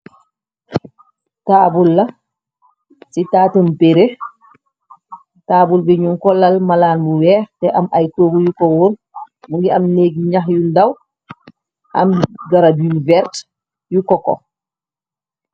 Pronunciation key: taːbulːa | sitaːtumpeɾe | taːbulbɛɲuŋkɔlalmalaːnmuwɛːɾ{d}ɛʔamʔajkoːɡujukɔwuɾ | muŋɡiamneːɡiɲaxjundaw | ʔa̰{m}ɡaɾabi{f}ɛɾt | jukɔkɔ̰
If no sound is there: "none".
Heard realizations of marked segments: t, m, v

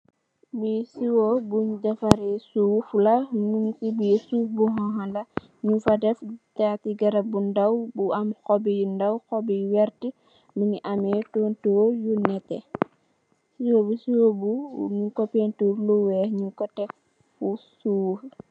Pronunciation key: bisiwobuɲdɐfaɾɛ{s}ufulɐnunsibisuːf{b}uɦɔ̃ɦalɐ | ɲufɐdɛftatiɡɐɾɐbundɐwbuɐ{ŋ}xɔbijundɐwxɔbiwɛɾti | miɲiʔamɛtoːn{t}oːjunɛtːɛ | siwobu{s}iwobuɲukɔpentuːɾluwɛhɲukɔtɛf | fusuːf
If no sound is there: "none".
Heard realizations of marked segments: s, b, m, t, s

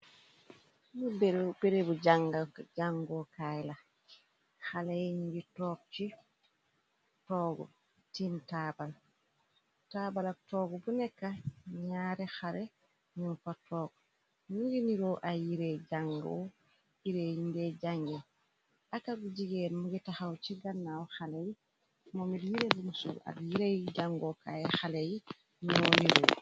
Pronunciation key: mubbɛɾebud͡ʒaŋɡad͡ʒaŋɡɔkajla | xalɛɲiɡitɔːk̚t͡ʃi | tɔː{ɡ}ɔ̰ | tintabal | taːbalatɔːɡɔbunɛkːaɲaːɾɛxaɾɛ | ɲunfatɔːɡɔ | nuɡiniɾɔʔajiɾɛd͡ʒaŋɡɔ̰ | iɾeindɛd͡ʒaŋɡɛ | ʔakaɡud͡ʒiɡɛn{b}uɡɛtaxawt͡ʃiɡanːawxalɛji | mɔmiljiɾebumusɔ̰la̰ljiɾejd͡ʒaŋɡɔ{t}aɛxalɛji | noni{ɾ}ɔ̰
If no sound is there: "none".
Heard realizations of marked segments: ɡ, m, k, ɾ

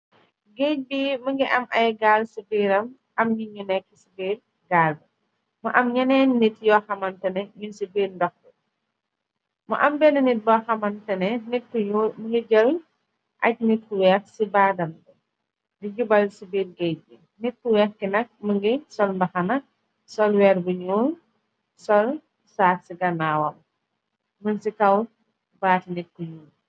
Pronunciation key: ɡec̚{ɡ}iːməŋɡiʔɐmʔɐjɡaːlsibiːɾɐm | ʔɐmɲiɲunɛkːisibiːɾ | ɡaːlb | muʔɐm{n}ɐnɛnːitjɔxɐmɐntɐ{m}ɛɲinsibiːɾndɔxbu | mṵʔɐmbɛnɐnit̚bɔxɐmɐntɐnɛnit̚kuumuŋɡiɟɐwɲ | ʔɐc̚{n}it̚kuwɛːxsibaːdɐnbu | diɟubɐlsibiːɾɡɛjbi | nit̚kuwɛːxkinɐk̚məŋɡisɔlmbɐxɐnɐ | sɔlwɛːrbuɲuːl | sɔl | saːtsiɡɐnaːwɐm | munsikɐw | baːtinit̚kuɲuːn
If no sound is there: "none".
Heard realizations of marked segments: b, ɲ, n, n

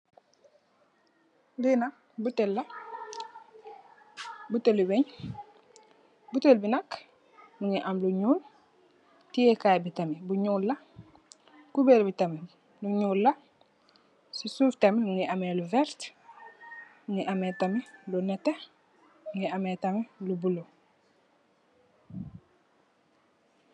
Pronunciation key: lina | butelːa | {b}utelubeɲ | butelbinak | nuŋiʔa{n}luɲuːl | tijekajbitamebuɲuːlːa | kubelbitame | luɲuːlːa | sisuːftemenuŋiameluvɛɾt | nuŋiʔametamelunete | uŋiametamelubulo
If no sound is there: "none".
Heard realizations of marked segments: b, m

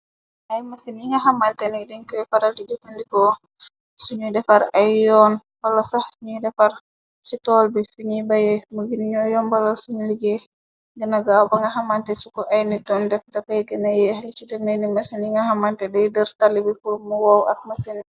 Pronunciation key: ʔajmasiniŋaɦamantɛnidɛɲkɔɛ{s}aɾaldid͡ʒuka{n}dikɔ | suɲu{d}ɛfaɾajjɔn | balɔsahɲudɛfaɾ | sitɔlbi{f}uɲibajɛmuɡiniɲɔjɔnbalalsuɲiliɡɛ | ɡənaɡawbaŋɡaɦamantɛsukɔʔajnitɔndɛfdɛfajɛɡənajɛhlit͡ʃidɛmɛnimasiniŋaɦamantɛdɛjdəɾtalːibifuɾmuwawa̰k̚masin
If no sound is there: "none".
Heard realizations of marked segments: f, n, d, f

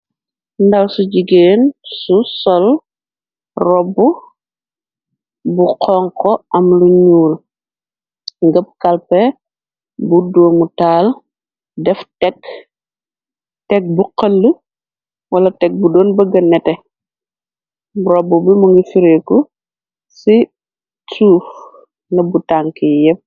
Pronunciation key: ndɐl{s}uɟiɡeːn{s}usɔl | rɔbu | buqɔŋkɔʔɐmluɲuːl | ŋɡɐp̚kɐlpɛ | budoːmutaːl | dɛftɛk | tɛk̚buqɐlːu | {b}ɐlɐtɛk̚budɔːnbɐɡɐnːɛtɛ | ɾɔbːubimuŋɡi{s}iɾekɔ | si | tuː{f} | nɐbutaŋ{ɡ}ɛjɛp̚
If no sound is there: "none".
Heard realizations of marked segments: s, s, w, f, f, k

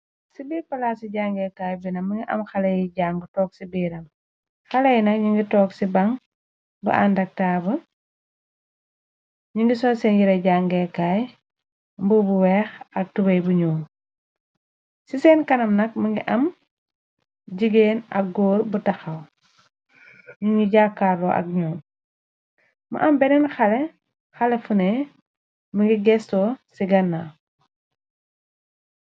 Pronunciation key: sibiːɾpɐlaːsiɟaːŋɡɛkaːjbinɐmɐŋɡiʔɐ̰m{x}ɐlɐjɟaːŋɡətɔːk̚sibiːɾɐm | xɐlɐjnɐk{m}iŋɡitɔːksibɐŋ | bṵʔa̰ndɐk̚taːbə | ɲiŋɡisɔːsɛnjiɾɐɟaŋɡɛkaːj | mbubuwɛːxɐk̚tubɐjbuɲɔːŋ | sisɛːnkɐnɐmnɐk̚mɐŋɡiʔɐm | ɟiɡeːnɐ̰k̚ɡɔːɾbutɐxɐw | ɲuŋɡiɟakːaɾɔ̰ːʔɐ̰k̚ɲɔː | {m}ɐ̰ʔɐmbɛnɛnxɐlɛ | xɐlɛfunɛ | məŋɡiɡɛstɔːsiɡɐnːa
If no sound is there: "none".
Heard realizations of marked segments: x, ɲ, m

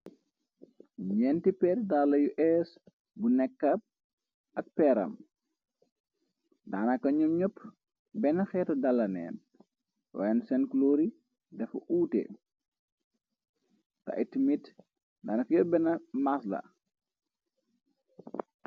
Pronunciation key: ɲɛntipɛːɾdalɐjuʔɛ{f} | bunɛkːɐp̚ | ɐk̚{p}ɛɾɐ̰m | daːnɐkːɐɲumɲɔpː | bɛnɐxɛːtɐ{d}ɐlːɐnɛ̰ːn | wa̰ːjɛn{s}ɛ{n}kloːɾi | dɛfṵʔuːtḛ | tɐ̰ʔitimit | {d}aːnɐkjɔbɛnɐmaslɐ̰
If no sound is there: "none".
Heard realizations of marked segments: s, p, d, s, n, d

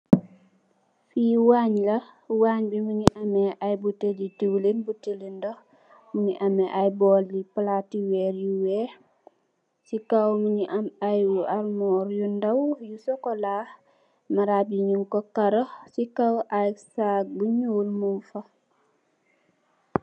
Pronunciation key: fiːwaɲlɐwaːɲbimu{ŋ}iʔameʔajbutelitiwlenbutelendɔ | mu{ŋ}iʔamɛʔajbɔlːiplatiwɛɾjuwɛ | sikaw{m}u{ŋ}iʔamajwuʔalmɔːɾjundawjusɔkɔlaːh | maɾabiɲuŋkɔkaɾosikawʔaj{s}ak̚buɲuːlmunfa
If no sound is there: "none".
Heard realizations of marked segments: ɲ, ɲ, m, ɲ, s

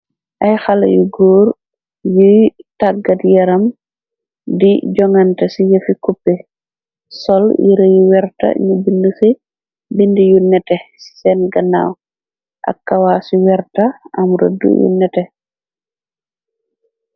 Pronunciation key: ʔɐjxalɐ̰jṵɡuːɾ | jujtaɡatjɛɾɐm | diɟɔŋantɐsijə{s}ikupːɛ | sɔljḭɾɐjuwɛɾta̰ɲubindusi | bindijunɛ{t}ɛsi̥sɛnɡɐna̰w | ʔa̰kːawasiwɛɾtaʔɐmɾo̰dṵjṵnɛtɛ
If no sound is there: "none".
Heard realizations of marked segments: f, t

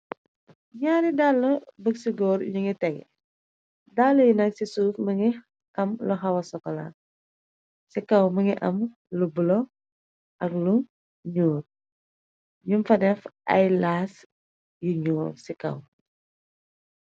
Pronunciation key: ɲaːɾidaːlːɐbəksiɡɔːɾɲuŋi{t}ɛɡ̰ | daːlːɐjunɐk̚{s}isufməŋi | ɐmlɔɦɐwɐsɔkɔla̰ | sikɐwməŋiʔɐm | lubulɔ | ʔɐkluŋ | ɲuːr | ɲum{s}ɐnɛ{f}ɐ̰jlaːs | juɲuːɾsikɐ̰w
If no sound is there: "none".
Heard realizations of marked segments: t, s, f, f

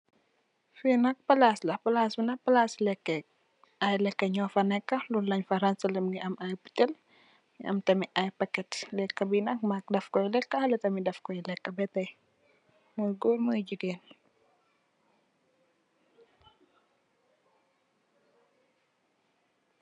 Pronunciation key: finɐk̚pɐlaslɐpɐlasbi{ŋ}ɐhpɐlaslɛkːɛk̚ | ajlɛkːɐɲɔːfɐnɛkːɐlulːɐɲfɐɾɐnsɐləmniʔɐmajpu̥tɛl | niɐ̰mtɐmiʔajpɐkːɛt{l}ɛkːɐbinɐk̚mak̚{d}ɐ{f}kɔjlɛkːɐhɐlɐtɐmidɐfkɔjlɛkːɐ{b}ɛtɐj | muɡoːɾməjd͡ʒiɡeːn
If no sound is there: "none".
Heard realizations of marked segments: n, l, d, f, b

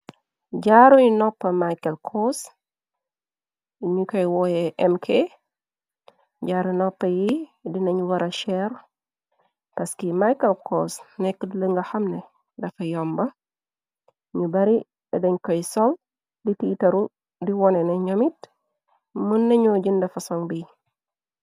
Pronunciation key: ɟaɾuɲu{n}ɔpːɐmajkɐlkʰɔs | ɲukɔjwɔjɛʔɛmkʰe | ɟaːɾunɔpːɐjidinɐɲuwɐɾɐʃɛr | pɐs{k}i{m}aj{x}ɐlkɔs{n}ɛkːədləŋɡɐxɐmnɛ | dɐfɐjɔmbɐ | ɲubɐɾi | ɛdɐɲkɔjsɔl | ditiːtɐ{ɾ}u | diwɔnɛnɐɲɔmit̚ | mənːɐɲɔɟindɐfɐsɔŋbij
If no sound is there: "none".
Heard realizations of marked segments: n, k, m, k, n, ɾ

